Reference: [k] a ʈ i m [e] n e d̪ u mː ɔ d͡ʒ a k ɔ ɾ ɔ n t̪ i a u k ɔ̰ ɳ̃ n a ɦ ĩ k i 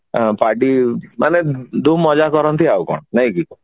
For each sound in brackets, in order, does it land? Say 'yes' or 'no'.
no, no

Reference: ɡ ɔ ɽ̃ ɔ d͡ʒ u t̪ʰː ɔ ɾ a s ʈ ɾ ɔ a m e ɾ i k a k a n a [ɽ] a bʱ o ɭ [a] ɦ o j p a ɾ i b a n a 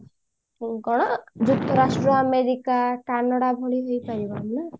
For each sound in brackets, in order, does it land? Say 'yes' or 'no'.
yes, no

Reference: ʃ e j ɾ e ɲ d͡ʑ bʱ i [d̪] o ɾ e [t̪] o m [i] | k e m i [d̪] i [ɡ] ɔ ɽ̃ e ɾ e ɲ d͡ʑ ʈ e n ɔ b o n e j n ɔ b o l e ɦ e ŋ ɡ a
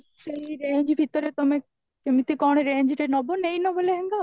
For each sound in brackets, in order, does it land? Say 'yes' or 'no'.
no, yes, no, no, no

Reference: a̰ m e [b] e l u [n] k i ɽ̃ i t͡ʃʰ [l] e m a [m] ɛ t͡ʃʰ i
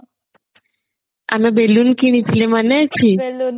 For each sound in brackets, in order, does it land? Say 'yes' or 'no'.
yes, yes, yes, no

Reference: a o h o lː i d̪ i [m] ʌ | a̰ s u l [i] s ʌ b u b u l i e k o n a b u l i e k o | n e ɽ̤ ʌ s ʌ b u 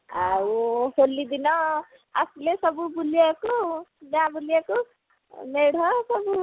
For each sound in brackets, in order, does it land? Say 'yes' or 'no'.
no, no

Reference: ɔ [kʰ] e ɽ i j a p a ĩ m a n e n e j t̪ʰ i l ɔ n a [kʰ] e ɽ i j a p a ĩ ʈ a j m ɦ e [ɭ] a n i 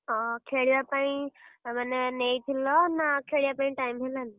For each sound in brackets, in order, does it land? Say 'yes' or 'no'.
yes, yes, no

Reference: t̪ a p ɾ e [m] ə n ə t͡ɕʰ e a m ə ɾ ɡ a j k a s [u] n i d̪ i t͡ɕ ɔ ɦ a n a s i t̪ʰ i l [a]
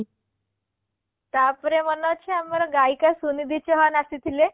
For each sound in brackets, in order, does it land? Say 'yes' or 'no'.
yes, yes, no

